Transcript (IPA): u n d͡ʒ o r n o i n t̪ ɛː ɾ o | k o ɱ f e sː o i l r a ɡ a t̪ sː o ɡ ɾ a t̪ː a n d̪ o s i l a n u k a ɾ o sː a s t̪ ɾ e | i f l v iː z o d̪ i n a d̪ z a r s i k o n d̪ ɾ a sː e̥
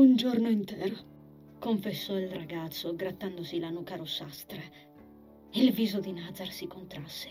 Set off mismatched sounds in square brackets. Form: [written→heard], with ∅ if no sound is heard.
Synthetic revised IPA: u n d͡ʒ o r n o i n t̪ ɛː ɾ o | k o ɱ f e sː [o→ɔ] i l r a ɡ a t̪ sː o ɡ ɾ a t̪ː a n d̪ o s i l a n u k a ɾ o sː a s t̪ ɾ e | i [f→∅] l v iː z o d̪ i n a d̪ z a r s i k o n [d̪→t̪] ɾ a sː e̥